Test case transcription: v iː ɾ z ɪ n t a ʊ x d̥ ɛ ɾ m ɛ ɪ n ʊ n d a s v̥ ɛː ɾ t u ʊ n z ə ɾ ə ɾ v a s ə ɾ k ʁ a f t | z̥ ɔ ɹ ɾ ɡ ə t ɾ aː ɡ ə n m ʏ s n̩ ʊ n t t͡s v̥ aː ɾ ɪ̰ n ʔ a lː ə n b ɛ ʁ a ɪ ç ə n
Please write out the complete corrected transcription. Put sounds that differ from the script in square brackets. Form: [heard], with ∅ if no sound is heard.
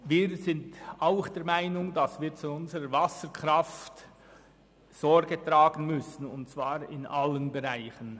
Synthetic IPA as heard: v iː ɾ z ɪ n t a ʊ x d̥ ɛ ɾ m [a] ɪ n ʊ [ŋ] d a s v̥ [iː] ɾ [t͡s] u ʊ n z ə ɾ ə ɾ v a s ə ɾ k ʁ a f t | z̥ ɔ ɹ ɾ ɡ ə t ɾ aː ɡ ə n m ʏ s n̩ ʊ n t t͡s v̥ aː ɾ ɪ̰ n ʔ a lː ə n b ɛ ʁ a ɪ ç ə n